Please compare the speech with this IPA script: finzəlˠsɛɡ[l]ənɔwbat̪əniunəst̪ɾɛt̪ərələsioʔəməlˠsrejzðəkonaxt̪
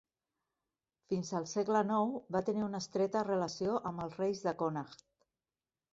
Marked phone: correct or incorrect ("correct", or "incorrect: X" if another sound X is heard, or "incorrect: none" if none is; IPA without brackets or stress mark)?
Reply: correct